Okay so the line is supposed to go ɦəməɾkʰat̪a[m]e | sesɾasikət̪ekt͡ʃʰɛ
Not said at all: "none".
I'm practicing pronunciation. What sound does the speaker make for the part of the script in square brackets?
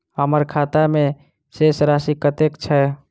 m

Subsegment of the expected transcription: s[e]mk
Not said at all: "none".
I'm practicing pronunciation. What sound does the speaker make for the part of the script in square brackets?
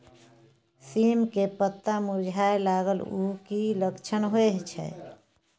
i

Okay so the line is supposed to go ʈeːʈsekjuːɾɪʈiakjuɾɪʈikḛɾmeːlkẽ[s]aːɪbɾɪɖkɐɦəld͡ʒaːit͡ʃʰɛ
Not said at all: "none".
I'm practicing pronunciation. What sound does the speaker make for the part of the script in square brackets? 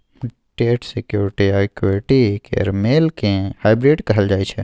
h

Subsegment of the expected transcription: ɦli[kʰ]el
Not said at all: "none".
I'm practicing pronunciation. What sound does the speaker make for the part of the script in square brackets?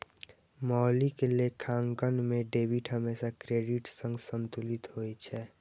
k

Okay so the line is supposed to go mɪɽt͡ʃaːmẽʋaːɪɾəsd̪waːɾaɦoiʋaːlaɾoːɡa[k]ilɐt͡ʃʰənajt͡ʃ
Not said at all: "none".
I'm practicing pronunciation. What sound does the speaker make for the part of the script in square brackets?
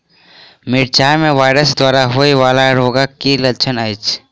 k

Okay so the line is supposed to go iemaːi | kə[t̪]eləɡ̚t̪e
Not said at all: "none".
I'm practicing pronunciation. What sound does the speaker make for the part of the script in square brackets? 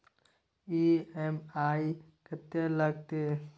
t̪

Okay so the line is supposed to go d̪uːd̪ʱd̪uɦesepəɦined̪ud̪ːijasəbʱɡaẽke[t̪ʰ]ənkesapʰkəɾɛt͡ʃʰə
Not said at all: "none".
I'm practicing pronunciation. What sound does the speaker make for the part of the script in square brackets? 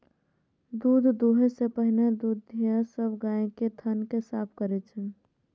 t̪ʰ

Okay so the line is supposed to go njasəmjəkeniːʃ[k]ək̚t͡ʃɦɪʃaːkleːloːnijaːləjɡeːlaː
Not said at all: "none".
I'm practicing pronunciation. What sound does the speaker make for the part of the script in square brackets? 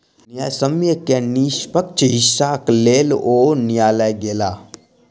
p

